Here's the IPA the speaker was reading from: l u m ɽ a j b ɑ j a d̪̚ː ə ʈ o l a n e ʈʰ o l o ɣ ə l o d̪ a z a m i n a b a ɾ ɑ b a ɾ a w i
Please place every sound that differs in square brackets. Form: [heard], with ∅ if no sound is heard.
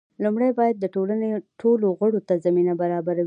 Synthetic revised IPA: l u m ɽ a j b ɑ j a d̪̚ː ə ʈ o l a n e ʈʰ o l o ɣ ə [ɽ] o [t̪] a z a m i n a b a ɾ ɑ b a ɾ a w i